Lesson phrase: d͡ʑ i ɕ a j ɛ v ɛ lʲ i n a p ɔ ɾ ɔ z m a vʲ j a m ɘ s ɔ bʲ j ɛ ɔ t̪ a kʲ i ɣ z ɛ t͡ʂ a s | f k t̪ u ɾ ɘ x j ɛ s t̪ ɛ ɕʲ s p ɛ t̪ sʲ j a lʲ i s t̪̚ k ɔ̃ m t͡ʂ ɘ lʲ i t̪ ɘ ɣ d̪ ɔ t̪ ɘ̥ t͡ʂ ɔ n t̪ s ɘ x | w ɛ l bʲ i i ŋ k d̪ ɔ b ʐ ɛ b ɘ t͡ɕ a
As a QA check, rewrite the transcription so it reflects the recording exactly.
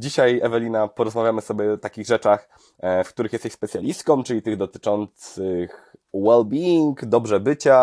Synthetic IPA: d͡ʑ i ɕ a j ɛ v ɛ lʲ i n a p ɔ ɾ ɔ z m a vʲ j a m ɘ s ɔ bʲ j ɛ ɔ t̪ a kʲ i ɣ ʐ ɛ t͡ʂ a x | f k t̪ u ɾ ɘ x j ɛ s t̪ ɛ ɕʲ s p ɛ t̪ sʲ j a lʲ i s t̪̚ k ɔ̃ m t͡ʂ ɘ lʲ i t̪ ɘ ɣ d̪ ɔ t̪ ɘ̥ t͡ʂ ɔ n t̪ s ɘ x | w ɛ l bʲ i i ŋ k d̪ ɔ b ʐ ɛ b ɘ t͡ɕ a